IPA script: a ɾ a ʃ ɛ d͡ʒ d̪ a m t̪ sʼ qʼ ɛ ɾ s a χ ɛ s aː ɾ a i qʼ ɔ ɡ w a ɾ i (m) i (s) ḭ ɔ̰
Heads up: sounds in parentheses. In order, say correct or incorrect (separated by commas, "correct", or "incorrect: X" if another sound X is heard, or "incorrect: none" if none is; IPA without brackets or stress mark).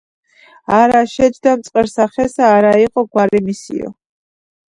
correct, correct